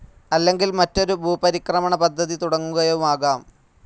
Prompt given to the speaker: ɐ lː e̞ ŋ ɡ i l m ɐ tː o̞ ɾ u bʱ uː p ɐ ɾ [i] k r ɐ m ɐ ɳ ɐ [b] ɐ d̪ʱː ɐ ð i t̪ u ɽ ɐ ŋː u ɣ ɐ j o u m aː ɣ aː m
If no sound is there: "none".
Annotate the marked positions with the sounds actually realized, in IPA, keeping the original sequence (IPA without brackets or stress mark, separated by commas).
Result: i, p